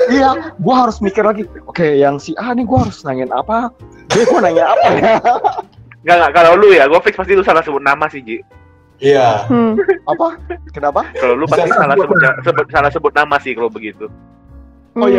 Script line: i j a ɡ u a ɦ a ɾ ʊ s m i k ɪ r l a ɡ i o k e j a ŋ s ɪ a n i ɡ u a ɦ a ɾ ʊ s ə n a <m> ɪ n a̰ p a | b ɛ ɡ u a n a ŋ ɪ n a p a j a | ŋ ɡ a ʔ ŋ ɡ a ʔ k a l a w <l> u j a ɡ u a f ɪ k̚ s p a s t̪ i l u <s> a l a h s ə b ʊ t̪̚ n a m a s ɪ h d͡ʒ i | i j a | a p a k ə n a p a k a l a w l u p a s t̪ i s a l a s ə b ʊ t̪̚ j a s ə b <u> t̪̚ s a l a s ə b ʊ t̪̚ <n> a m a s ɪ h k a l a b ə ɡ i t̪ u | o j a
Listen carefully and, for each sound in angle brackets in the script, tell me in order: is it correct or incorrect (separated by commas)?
incorrect, correct, correct, incorrect, correct